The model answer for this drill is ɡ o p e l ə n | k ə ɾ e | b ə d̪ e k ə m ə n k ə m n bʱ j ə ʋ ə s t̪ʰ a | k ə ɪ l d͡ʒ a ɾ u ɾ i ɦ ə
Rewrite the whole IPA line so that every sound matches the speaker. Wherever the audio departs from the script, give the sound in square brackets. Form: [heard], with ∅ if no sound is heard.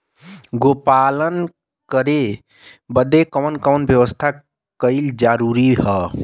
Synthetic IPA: ɡ o p [a] l ə n | k ə ɾ e | b ə d̪ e k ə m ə n k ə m n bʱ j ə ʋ ə s t̪ʰ a | k ə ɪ l d͡ʒ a ɾ u ɾ i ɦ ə